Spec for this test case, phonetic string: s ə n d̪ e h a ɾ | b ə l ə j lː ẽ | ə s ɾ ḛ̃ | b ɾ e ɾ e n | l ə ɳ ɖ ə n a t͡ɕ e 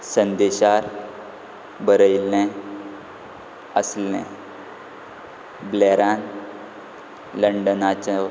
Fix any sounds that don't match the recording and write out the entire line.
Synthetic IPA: s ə n d̪ e ɕ a ɾ | b ə ɾ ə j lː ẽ | ə s l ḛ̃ | b l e ɾ a n | l ə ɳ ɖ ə n a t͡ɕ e

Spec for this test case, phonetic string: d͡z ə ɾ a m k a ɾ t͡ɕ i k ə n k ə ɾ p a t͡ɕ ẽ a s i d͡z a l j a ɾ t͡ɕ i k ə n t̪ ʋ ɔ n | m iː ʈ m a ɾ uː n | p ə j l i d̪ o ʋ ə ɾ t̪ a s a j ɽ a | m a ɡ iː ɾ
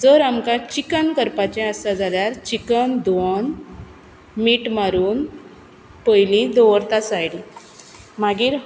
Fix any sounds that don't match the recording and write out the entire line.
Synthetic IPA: d͡z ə ɾ a m k a t͡ɕ i k ə n k ə ɾ p a t͡ɕ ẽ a s a d͡z a l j a ɾ t͡ɕ i k ə n d̪ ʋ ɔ n | m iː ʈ m a ɾ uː n | p ə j l i d̪ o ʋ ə ɾ t̪ a s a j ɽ i | m a ɡ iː ɾ

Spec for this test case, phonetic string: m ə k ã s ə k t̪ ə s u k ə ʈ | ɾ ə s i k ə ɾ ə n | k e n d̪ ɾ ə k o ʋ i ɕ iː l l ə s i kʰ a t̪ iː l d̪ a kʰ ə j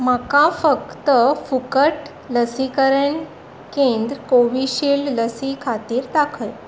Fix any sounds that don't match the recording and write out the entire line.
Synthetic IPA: m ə k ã f ə k t̪ ə f u k ə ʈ | l ə s i k ə ɾ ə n | k e n d̪ ɾ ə k o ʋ i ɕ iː l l ə s i kʰ a t̪ iː ɾ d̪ a kʰ ə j

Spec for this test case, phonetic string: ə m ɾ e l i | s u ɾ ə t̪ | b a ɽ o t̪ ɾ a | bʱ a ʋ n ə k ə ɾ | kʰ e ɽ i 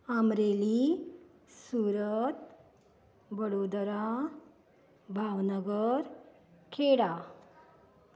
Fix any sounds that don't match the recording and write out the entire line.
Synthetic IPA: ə m ɾ e l i | s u ɾ ə t̪ | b ə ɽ o d̪ ɾ a | bʱ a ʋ n ə ɡ ə ɾ | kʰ e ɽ a

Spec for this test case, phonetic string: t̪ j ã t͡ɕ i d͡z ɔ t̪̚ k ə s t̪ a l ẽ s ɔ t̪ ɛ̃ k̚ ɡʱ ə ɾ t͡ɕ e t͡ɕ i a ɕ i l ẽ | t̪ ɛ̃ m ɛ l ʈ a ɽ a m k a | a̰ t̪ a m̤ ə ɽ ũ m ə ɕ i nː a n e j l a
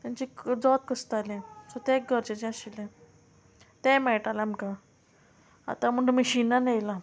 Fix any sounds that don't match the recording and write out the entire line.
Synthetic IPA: t̪ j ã t͡ɕ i d͡z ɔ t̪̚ k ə s t̪ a l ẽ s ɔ t̪ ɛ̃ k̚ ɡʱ ə ɾ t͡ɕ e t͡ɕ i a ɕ i l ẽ | t̪ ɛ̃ m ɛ ɭ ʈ a l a m k a | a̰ t̪ a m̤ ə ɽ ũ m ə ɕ i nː a n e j l a

